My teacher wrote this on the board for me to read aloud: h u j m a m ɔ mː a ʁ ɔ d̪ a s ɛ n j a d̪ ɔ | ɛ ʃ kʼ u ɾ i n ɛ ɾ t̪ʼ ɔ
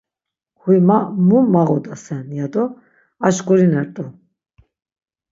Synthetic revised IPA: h u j m a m u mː a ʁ ɔ d̪ a s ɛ n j a d̪ ɔ | a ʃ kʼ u ɾ i n ɛ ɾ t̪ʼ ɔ